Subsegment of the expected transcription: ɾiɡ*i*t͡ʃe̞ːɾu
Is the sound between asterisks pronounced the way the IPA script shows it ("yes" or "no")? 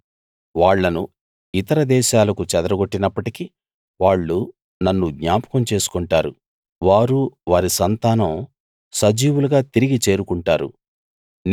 yes